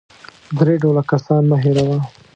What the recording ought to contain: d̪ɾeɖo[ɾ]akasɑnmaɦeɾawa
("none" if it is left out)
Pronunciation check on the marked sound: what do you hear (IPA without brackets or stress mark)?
l